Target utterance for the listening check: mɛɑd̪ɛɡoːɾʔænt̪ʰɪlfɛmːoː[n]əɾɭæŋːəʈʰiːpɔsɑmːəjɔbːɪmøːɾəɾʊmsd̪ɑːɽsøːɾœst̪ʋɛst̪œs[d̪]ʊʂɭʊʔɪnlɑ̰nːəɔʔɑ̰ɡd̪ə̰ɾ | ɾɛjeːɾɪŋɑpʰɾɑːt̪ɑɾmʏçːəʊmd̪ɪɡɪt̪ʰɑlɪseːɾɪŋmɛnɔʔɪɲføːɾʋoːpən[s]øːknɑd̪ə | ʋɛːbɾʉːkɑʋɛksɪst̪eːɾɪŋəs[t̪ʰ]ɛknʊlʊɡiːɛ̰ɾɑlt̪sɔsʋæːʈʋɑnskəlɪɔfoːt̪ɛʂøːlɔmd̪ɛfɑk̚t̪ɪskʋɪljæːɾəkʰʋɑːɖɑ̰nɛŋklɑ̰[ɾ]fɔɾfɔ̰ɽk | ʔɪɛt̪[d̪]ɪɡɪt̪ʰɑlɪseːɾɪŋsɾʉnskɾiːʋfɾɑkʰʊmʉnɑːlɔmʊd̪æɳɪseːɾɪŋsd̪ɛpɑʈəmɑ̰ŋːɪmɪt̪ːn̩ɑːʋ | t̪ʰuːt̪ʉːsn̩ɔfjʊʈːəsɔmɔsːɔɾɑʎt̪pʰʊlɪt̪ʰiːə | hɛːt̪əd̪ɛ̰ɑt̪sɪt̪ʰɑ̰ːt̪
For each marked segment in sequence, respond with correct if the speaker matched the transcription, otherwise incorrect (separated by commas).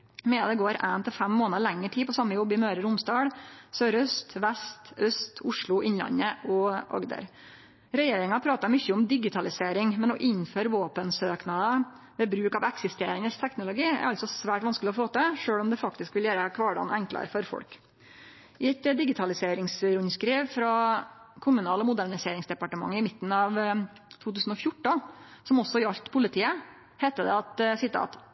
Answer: correct, incorrect, correct, correct, correct, correct